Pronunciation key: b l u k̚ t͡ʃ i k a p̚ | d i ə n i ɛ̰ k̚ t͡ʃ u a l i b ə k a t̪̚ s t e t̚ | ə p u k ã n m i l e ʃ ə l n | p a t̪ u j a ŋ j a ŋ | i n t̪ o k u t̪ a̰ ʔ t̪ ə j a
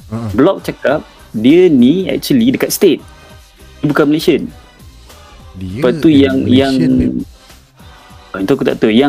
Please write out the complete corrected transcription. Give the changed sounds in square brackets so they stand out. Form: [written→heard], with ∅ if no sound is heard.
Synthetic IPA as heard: b l [u→ɔ] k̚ t͡ʃ [i→a] k a p̚ | d i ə n i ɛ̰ k̚ t͡ʃ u [a→ə] l i [b→d] ə k a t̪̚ s t e t̚ | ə [p→b] u k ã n m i l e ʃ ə [l→∅] n | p a t̪ u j a ŋ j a ŋ | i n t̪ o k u t̪ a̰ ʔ t̪ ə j a